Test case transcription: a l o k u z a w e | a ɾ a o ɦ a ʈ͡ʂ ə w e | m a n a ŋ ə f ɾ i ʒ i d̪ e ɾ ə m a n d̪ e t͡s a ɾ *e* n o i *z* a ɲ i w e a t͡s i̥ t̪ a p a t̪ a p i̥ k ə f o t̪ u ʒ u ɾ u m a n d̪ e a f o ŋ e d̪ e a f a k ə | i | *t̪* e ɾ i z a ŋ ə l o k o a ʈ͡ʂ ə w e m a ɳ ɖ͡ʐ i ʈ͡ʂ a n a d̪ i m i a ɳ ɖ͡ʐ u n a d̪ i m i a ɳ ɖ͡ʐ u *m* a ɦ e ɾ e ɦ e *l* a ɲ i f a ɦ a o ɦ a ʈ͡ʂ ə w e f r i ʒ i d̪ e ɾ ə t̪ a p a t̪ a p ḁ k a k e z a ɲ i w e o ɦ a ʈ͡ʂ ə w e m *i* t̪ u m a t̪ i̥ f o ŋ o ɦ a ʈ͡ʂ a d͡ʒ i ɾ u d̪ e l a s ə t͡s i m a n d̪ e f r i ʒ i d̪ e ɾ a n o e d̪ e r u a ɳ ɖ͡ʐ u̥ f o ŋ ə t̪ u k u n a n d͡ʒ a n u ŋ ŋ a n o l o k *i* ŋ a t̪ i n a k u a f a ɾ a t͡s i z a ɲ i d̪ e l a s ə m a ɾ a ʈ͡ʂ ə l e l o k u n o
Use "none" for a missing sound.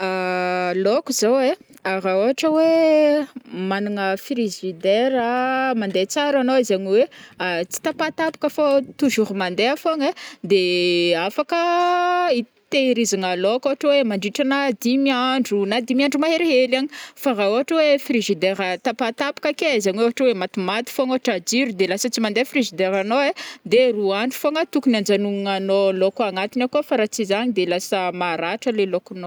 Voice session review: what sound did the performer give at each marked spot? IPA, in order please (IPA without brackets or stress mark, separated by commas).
a, z, t̪, m, l, a, a